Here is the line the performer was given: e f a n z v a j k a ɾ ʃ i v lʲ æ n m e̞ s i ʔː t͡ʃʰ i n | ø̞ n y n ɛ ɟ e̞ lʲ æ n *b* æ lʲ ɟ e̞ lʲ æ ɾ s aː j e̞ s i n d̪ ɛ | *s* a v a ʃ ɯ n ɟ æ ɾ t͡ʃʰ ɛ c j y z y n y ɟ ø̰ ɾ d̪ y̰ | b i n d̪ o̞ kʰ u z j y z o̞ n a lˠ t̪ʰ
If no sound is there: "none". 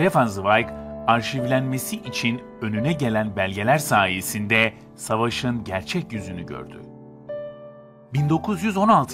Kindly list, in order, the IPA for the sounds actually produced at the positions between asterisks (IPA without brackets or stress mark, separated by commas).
b, s